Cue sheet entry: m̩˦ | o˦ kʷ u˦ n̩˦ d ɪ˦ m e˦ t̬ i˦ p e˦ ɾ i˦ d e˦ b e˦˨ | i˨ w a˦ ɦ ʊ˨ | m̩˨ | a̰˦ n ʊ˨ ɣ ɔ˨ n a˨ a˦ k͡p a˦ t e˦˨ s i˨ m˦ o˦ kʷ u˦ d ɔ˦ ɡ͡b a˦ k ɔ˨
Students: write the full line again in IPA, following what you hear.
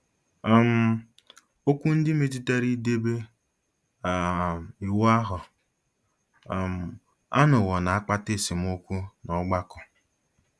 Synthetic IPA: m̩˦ | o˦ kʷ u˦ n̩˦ d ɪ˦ m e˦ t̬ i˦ t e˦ ɾ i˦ d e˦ b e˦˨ | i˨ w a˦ ɦ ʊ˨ | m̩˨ | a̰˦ n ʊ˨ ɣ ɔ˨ n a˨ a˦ k͡p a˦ t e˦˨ s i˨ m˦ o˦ kʷ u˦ n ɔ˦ ɡ͡b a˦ k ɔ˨